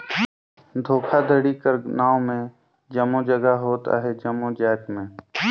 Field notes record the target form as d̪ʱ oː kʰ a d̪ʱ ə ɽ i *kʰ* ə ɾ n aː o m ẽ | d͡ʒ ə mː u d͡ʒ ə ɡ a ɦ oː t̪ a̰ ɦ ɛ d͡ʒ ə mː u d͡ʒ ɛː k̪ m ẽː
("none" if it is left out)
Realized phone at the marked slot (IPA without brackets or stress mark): k